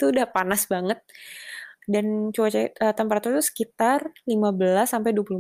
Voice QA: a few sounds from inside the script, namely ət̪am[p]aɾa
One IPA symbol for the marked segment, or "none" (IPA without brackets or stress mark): p